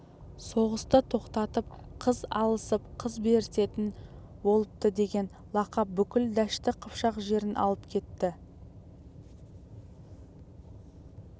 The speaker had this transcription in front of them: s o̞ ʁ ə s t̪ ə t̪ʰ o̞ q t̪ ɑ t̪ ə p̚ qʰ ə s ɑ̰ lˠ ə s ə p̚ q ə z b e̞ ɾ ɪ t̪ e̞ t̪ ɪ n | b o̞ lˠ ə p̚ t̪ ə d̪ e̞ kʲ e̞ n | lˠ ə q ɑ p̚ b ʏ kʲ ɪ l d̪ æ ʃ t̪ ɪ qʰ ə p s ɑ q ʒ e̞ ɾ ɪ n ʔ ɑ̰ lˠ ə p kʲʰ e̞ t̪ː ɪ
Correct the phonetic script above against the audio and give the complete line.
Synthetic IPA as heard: s o̞ ʁ ə s t̪ ə t̪ʰ o̞ q t̪ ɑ t̪ ə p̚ qʰ ə z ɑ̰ lˠ ə s ə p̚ qʰ ə z b e̞ ɾ ɪ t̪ e̞ t̪ ɪ n | b o̞ lˠ ə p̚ t̪ ə d̪ e̞ ɡʲ e̞ n | lˠ ɑ q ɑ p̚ b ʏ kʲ ɪ l d̪ æ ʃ t̪ ɪ qʰ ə p ʃ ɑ q ʒ e̞ ɾ ɪ n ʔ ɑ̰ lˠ ə p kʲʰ e̞ t̪ː ɪ